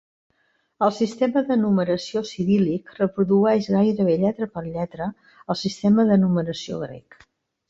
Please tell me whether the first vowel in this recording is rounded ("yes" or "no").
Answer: no